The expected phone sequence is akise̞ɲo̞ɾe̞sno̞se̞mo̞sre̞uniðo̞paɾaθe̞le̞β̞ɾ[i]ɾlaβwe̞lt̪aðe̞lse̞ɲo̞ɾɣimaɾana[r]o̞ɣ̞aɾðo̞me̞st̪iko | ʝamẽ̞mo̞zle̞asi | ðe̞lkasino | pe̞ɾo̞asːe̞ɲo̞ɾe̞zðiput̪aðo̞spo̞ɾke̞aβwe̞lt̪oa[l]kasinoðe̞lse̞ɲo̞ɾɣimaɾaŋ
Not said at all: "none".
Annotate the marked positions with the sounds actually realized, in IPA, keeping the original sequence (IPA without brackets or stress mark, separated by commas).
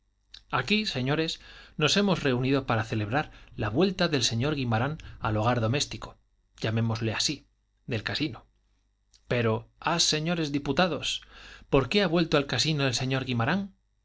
a, l, l